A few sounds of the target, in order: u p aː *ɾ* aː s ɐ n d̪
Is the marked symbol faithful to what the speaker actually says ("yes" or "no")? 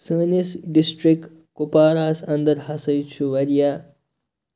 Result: yes